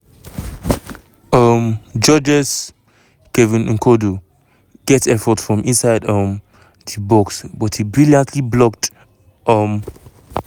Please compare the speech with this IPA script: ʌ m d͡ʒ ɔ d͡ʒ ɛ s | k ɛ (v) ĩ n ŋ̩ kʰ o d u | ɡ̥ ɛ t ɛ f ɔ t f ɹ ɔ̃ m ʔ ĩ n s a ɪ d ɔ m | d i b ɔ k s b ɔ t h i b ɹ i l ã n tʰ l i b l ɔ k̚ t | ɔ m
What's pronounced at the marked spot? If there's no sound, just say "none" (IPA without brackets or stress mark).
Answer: v